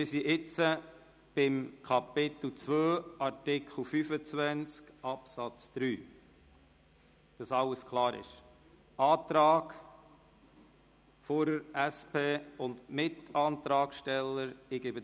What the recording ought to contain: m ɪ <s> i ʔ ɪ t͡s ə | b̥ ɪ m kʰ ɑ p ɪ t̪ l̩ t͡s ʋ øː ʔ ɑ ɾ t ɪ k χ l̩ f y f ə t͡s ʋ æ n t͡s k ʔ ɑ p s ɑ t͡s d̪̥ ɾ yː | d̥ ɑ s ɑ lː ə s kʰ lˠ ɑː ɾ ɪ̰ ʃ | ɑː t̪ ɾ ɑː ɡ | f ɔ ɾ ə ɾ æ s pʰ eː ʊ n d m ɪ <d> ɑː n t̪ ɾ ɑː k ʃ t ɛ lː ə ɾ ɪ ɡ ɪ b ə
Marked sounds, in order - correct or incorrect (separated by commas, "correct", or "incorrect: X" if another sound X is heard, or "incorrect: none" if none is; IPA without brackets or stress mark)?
correct, incorrect: t